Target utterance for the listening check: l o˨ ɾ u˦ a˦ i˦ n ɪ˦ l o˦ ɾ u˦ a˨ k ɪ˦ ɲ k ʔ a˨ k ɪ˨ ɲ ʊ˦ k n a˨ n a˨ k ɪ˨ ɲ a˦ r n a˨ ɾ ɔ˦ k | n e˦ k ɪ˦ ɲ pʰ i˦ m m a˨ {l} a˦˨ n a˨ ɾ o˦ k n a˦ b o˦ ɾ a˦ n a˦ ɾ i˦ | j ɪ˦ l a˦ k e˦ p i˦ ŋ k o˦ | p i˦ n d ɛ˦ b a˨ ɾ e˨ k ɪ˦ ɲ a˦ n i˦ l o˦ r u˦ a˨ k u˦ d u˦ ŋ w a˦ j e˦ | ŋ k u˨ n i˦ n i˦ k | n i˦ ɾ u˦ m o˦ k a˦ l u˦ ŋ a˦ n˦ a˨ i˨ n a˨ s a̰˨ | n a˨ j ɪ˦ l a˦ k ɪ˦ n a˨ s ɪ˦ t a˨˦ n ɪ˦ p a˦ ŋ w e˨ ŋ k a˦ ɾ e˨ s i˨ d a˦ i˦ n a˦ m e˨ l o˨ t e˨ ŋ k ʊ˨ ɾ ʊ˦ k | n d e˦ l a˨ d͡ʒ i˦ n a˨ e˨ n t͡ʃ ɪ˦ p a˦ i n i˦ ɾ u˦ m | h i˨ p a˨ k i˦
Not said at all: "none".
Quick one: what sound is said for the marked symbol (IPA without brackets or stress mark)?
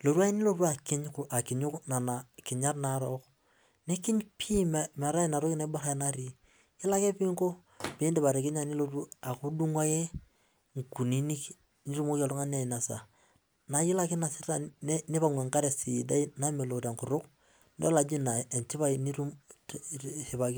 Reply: ɾ